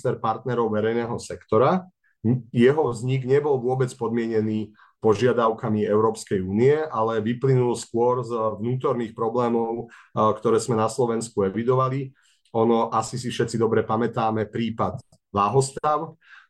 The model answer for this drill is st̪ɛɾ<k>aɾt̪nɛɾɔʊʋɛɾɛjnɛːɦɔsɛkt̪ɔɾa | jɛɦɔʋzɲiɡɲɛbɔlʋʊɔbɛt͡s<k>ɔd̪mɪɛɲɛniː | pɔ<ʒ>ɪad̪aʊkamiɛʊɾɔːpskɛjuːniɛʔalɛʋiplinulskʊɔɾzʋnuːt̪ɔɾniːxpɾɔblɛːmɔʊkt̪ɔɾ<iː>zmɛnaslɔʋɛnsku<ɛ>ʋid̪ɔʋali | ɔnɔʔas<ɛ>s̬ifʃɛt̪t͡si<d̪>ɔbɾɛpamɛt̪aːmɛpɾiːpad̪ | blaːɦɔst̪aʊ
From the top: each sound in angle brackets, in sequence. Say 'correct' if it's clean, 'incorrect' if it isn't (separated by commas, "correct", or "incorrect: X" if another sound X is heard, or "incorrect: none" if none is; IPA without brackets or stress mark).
incorrect: p, incorrect: p, correct, incorrect: ɛː, correct, incorrect: i, correct